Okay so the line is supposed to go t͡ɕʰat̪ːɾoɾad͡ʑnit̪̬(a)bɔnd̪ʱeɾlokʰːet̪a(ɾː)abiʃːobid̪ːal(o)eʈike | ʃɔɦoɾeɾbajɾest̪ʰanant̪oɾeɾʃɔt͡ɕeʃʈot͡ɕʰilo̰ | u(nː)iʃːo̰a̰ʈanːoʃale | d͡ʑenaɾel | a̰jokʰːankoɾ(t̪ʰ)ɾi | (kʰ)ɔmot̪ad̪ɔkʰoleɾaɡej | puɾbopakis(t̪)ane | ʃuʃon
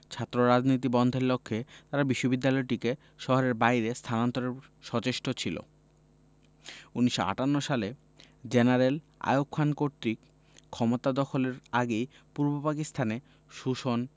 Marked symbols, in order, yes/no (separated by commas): no, no, no, no, no, yes, no